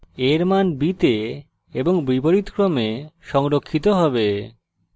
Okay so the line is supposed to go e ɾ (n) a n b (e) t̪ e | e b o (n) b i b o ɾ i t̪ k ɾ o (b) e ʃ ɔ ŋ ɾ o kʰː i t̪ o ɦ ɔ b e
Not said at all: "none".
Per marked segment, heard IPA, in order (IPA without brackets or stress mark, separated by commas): m, i, ŋ, m